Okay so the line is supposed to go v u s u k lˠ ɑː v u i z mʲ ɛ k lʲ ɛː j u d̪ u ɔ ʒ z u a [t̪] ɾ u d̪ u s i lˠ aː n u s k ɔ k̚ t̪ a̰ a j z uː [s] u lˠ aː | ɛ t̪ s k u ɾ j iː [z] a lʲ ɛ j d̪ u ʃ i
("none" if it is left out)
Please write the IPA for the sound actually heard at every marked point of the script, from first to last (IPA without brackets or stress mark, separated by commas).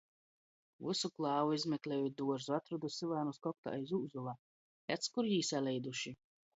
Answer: t̪, z, s